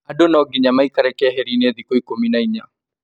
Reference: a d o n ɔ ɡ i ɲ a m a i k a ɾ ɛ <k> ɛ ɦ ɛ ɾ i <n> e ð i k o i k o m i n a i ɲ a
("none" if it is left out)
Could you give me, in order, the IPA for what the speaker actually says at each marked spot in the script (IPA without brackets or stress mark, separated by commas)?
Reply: k, n